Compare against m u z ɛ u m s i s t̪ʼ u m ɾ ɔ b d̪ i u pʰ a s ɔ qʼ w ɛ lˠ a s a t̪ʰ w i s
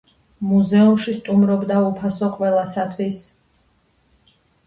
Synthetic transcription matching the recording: m u z ɛ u m ʃ i s t̪ʼ u m ɾ ɔ b d̪ a u pʰ a s ɔ qʼ w ɛ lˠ a s a t̪ʰ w i s